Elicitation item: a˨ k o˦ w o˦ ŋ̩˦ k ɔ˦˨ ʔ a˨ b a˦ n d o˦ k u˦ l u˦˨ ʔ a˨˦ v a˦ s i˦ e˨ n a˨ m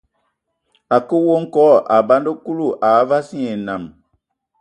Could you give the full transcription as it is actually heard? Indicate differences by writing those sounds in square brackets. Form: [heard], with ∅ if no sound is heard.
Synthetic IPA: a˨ k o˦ w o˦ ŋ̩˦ k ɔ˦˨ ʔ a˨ b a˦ n d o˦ k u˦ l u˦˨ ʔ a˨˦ v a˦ s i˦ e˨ n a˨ m